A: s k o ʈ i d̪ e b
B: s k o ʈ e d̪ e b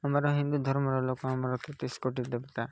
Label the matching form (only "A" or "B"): A